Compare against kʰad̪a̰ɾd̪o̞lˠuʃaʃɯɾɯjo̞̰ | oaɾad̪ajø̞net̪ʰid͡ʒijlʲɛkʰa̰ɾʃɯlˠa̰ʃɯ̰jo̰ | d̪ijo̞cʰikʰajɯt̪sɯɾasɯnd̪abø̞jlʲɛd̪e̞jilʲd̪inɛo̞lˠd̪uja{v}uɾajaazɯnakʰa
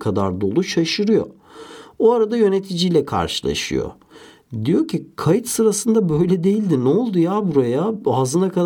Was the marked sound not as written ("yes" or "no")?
yes